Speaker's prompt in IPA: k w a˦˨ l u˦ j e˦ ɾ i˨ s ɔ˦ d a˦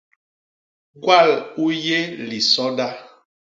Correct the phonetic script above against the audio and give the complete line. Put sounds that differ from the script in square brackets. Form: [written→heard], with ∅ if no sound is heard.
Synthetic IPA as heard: [k→ɡ] w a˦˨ l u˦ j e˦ [ɾ→l] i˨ s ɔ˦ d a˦